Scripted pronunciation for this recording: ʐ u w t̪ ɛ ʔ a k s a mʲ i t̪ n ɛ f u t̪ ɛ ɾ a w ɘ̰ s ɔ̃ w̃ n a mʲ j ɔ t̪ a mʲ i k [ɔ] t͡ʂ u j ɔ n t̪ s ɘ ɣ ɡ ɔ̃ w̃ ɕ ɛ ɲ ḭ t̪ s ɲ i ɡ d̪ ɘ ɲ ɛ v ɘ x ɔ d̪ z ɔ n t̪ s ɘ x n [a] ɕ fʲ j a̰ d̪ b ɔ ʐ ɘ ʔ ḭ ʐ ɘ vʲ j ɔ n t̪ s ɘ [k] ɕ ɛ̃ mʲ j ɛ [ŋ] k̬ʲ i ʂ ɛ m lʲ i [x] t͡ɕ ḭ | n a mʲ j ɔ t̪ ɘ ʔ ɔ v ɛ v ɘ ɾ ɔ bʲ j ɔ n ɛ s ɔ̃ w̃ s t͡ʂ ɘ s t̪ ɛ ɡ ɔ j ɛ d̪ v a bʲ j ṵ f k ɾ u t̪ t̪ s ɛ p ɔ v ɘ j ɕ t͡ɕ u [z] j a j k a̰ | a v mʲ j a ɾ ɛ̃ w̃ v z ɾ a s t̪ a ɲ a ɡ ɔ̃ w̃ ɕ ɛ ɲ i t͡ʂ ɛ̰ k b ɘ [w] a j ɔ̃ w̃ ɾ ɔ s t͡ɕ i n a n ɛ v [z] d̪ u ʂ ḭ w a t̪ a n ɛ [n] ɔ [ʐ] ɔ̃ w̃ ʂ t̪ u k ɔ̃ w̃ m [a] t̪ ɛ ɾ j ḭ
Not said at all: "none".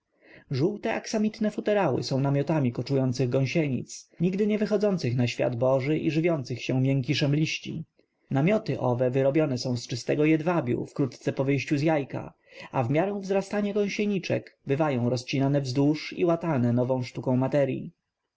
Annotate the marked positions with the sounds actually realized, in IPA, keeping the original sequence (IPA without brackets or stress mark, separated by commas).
ɔ, a, x, ŋ, ɕ, z, v, z, n, v, a